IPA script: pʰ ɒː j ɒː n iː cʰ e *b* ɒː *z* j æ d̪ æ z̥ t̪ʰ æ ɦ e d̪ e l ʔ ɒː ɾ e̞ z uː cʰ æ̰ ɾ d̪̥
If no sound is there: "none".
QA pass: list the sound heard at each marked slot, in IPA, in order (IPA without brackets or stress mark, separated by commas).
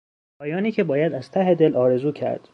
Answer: b, none